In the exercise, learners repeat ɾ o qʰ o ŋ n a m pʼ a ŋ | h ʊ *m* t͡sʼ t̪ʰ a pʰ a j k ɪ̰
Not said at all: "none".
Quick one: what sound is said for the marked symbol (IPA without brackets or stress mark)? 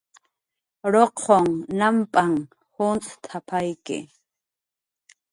n